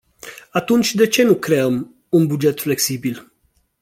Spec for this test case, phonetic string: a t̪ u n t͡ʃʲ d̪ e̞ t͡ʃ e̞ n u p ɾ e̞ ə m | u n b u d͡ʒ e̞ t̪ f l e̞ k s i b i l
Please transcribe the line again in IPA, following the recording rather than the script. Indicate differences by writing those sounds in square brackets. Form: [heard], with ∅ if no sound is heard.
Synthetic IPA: a t̪ u n t͡ʃʲ d̪ e̞ t͡ʃ e̞ n u [k] ɾ e̞ ə m | u n b u d͡ʒ e̞ t̪ f l e̞ k s i b i l